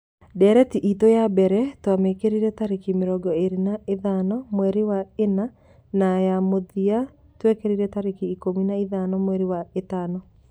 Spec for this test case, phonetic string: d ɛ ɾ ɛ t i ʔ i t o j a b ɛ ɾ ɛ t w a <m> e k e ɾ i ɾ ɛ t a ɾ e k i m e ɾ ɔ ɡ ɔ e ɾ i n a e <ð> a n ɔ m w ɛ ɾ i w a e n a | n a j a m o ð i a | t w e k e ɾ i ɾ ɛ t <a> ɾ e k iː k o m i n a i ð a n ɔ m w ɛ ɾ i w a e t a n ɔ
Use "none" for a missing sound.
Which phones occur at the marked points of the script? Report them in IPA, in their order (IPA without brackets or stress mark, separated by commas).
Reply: m, ð, a